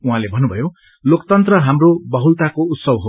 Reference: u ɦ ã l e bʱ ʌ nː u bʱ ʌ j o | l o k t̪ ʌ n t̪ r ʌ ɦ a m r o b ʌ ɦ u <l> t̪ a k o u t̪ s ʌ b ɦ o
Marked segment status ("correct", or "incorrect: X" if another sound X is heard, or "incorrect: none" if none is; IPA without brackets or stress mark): correct